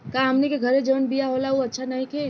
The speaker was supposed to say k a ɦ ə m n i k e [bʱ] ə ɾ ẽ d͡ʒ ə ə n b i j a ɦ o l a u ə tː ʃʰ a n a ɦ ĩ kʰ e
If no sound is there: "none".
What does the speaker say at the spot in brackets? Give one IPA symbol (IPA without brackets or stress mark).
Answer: ɡʱ